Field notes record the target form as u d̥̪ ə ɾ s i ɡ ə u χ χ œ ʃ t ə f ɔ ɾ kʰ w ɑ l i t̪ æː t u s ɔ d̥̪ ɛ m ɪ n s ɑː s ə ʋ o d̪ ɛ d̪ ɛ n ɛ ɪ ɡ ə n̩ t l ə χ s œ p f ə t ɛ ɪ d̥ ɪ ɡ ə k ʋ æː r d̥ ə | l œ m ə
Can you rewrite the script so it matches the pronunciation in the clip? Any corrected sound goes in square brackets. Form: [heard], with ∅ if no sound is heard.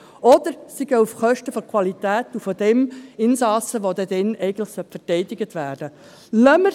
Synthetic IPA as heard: [ɔ] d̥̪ ə ɾ s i ɡ ə u [f] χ œ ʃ t ə f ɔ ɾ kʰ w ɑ l i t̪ æː t u [f] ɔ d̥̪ ɛ m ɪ n s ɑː s ə ʋ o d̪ ɛ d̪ ɛ n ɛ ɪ ɡ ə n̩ t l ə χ s œ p f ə t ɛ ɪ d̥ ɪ ɡ ə [t] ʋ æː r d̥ ə | l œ m ə